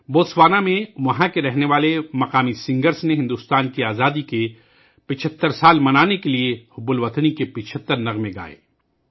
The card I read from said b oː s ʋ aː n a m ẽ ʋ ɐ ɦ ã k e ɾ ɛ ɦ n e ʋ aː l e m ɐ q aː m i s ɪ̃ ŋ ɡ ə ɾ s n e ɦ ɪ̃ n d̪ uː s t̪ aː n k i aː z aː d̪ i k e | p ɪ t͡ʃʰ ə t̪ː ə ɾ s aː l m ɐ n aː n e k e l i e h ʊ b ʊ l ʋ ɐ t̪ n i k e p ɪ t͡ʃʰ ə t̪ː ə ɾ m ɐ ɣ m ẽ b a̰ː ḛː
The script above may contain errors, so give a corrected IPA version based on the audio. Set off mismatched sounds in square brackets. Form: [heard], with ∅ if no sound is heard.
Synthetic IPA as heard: b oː s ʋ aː n a m ẽ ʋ ɐ ɦ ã k e ɾ ɛ ɦ n e ʋ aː l e m ɐ q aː m i s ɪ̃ ŋ ɡ ə ɾ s n e ɦ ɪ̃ n d̪ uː s t̪ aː n k i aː z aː d̪ i k e | p ɪ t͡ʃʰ ə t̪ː ə ɾ s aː l m ɐ n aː n e k e l i e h ʊ b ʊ l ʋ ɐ t̪ n i k e p ɪ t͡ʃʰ ə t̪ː ə ɾ [n] ɐ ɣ m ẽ [ɡ] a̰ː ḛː